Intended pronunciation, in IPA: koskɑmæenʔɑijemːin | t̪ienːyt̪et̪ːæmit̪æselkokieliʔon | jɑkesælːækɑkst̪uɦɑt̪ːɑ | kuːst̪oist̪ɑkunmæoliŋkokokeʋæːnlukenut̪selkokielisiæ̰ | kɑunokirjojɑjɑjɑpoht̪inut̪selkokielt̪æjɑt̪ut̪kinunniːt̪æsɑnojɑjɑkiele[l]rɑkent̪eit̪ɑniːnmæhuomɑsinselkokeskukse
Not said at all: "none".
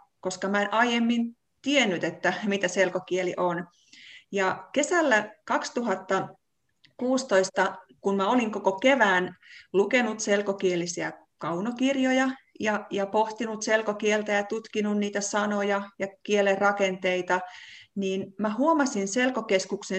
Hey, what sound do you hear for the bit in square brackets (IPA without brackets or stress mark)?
r